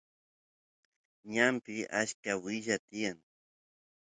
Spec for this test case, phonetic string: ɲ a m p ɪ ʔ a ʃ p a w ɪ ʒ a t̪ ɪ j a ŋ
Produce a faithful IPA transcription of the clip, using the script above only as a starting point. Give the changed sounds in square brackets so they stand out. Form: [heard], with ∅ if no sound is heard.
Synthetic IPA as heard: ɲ a m p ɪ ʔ a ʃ [k] a w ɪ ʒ a t̪ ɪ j a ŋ